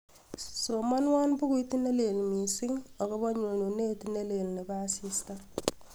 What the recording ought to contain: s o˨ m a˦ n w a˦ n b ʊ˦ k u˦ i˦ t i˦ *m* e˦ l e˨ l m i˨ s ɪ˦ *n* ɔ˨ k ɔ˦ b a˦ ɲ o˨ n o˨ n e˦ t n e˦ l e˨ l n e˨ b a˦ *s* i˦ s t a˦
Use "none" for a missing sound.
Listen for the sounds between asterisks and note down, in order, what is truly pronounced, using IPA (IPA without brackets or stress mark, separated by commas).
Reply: n, ŋ, s